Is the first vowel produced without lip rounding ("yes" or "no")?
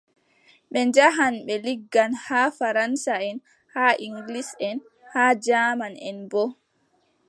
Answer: yes